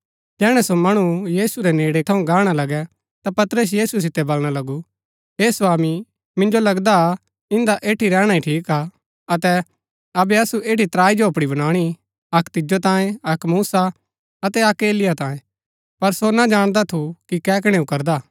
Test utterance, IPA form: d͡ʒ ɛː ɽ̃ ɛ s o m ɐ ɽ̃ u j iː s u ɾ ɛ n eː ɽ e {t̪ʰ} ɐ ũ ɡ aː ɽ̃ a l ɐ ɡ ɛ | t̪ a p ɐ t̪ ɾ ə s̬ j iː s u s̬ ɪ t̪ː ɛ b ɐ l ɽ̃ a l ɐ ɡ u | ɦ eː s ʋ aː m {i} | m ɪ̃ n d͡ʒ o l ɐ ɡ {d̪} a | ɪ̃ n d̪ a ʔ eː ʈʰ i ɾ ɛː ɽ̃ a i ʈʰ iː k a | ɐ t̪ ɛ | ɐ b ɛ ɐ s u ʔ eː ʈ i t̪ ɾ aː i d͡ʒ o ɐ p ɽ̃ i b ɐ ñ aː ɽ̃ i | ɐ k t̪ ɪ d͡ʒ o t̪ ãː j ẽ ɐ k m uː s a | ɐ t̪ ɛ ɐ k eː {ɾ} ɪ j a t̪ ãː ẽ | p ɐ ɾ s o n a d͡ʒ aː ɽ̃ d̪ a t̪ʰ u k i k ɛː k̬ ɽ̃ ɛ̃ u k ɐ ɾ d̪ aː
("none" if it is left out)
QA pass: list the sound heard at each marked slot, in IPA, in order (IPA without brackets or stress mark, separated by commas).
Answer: t̪ʰ, i, d̪, l